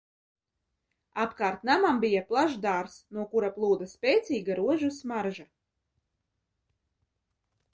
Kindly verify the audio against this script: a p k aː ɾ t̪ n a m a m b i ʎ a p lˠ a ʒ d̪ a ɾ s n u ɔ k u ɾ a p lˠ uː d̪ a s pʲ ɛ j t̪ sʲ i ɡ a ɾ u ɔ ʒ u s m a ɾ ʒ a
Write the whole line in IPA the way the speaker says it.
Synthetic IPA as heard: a p k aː ɾ t̪ n a m a m b i j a p lˠ a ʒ d̪ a ɾ s n u ɔ k u ɾ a p lˠ uː d̪ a s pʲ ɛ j t̪ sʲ iː ɡ a ɾ u ɔ ʒ u s m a ɾ ʒ a